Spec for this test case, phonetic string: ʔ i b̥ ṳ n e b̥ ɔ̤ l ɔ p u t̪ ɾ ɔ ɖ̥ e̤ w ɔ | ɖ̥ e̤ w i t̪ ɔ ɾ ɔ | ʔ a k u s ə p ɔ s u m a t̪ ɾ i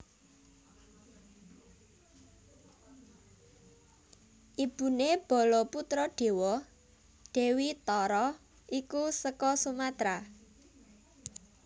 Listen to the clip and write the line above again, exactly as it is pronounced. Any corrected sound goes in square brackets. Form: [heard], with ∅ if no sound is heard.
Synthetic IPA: ʔ i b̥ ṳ n e b̥ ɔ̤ l ɔ p u t̪ ɾ ɔ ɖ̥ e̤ w ɔ | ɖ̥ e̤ w i t̪ ɔ ɾ ɔ | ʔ [i] k u s ə [k] ɔ s u m a t̪ ɾ [a]